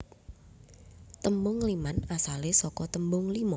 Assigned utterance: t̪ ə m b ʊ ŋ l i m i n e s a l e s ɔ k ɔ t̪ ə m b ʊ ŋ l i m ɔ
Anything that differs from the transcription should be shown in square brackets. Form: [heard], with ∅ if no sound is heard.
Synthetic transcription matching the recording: t̪ ə m b ʊ ŋ l i m [a] n [a] s a l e s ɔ k ɔ t̪ ə m b ʊ ŋ l i m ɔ